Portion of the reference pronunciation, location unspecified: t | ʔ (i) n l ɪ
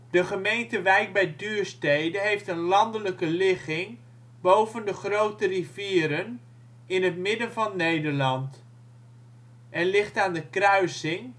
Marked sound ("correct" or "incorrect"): incorrect